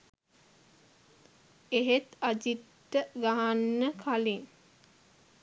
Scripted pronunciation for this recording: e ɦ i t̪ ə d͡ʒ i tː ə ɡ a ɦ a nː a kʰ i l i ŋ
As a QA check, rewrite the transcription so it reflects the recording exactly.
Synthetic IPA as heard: e ɦ e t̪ a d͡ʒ i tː ə ɡ a ɦ a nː ə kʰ a l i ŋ